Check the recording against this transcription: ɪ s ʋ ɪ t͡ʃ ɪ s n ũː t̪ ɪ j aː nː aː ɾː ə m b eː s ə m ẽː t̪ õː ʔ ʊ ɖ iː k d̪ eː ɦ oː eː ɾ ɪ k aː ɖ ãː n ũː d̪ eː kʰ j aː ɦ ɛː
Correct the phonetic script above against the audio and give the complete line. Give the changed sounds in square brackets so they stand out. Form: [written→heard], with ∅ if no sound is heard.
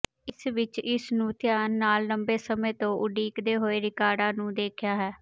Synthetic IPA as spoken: ɪ s ʋ ɪ t͡ʃ ɪ s n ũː t̪ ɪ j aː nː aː [ɾː→lː] ə m b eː s ə m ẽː t̪ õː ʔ ʊ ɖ iː k d̪ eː ɦ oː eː ɾ ɪ k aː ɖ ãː n ũː d̪ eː kʰ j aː ɦ ɛː